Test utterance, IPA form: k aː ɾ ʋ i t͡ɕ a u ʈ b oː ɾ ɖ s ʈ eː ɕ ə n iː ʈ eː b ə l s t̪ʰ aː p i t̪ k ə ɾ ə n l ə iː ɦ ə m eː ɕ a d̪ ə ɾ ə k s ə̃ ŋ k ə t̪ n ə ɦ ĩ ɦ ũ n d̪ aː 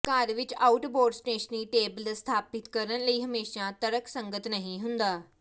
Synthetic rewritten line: k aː ɾ ʋ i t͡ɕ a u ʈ b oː ɾ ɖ s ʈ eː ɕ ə n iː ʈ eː b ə l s t̪ʰ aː p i t̪ k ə ɾ ə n l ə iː ɦ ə m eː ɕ a t̪ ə ɾ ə k s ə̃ ŋ ɡ ə t̪ n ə ɦ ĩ ɦ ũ n d̪ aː